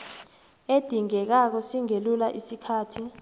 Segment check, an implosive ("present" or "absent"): absent